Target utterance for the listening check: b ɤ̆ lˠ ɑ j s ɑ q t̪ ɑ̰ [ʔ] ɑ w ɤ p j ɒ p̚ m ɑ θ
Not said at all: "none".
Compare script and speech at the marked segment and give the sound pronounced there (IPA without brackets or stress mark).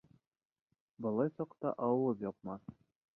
ʔ